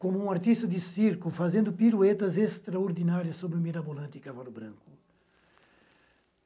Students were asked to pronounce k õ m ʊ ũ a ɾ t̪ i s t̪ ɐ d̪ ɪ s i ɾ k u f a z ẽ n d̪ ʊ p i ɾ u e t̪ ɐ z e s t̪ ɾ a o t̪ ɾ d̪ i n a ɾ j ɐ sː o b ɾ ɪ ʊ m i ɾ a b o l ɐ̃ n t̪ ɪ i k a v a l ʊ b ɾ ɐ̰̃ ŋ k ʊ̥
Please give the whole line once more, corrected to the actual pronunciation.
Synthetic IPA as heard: k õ m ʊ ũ a ɾ t̪ i s t̪ ɐ d̪ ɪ s i ɾ k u f a z ẽ n d̪ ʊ p i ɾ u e t̪ ɐ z e s t̪ ɾ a o ɾ d̪ i n a ɾ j ɐ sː o b ɾ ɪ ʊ m i ɾ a b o l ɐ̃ n t̪ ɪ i k a v a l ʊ b ɾ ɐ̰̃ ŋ k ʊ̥